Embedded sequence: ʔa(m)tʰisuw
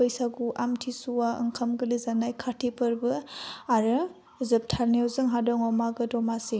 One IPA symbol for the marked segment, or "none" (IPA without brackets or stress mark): m